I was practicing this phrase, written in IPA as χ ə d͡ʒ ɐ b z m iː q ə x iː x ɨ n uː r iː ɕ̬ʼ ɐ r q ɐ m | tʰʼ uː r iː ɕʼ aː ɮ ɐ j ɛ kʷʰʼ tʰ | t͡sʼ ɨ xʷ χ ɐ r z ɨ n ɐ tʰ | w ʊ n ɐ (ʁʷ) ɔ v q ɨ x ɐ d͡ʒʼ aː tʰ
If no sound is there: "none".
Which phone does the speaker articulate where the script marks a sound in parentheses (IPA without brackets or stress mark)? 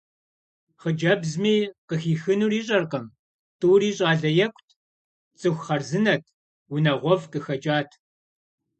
ʁʷ